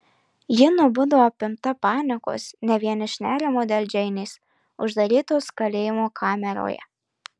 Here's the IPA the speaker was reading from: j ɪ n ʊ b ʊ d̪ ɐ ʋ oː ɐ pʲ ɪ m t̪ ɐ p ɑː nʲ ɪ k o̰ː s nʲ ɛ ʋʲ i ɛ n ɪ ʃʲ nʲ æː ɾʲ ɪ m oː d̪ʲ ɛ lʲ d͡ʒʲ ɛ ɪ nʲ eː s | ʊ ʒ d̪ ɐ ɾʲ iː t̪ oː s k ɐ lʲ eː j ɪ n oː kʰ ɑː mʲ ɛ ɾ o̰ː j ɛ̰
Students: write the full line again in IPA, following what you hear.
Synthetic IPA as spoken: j ɪ n ʊ b ʊ d̪ ɐ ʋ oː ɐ pʲ ɪ m t̪ ɐ p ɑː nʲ ɪ k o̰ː s nʲ ɛ ʋʲ i ɛ n ɪ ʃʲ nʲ æː ɾʲ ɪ m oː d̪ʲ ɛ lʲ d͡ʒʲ ɛ ɪ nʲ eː s | ʊ ʒ d̪ ɐ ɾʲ iː t̪ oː s k ɐ lʲ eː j ɪ m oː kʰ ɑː mʲ ɛ ɾ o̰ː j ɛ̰